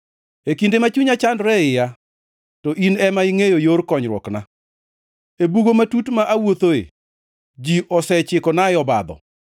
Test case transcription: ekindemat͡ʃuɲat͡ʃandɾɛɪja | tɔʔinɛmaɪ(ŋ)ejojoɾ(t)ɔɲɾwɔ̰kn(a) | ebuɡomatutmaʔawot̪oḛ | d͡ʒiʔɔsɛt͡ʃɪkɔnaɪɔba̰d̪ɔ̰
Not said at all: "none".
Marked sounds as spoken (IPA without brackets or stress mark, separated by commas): ŋ, k, a